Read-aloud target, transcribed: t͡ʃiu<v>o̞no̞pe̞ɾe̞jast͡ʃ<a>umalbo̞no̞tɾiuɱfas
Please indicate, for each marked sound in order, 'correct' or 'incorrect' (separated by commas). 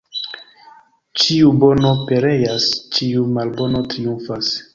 incorrect, incorrect